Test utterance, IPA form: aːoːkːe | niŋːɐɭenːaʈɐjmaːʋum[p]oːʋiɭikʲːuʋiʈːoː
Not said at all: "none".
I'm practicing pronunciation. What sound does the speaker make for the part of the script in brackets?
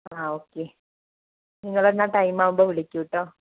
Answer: b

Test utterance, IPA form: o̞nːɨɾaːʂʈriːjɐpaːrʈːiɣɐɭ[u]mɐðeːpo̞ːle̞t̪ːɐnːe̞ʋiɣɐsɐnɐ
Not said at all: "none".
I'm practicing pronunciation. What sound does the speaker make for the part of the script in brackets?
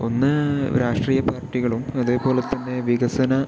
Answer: u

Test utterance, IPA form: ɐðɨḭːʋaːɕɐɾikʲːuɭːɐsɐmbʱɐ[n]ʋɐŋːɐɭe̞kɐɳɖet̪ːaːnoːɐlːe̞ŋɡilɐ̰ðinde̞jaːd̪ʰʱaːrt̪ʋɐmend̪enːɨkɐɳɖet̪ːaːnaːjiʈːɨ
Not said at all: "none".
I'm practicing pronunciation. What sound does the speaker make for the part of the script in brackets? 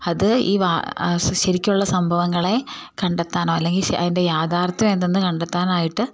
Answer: none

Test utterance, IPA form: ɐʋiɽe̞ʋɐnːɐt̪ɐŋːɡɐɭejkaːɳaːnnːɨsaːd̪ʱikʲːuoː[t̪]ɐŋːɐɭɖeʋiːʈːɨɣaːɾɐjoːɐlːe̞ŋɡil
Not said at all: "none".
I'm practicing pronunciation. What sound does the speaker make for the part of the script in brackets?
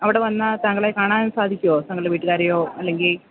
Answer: t̪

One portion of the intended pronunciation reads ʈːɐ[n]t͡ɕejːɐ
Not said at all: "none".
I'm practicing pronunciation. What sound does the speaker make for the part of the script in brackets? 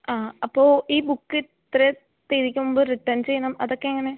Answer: n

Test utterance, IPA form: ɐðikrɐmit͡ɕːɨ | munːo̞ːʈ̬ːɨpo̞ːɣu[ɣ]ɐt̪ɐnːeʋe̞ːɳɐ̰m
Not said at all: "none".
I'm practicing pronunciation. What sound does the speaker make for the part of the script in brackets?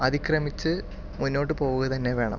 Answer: ɣ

